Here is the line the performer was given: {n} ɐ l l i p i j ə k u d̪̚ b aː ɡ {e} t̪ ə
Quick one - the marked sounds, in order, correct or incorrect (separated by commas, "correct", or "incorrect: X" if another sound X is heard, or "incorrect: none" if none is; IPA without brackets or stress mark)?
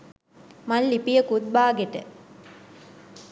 incorrect: m, correct